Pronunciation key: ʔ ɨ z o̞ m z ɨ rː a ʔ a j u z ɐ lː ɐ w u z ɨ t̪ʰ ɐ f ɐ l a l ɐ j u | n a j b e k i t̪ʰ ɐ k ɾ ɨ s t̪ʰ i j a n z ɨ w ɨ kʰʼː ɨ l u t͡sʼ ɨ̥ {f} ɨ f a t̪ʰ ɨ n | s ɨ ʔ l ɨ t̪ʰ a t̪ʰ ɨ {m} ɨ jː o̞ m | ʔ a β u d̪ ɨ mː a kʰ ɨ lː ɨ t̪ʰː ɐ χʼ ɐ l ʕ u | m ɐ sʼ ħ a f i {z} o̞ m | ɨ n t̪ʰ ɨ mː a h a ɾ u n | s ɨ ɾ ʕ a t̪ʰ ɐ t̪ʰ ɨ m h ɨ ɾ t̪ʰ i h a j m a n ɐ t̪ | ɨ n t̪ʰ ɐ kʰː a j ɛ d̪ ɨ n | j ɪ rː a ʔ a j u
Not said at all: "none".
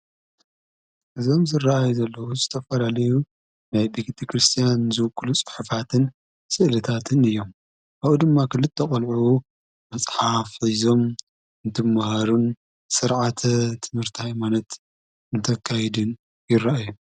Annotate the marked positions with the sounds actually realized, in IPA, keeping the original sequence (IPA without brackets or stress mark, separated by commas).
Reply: ħ, n, z